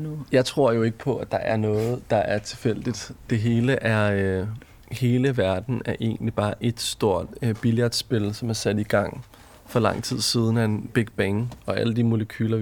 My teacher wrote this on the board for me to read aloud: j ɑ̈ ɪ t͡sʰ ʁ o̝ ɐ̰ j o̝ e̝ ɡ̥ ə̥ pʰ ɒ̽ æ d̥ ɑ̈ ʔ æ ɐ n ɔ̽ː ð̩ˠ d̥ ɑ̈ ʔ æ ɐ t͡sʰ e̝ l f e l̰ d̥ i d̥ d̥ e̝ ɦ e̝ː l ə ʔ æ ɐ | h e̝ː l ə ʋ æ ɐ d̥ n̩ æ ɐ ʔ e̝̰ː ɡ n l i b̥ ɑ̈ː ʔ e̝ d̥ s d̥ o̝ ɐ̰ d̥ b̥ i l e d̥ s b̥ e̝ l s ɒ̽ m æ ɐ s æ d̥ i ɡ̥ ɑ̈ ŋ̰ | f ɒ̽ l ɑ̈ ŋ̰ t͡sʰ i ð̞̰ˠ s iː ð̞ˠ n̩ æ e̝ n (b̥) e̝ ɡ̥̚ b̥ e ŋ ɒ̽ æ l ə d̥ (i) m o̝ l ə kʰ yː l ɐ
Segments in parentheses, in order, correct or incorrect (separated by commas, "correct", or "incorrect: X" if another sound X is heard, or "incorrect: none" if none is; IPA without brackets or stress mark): correct, correct